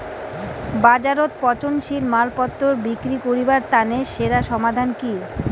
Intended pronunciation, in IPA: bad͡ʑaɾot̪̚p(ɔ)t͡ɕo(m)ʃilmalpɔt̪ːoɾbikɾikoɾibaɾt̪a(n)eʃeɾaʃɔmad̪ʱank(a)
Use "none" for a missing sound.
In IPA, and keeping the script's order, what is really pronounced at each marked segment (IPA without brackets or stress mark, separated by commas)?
ɔ, n, n, i